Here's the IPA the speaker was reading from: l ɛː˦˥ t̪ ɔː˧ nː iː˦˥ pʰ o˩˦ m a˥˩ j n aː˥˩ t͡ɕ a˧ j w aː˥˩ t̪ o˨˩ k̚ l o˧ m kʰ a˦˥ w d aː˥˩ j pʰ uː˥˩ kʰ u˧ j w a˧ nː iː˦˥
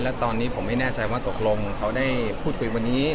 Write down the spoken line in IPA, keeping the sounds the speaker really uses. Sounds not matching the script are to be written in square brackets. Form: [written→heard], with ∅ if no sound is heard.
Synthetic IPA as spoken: l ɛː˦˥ t̪ ɔː˧ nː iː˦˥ pʰ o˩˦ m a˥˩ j n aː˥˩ t͡ɕ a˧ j w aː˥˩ t̪ o˨˩ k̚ l o˧ [m→ŋ] kʰ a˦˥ w d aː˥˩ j pʰ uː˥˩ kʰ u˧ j w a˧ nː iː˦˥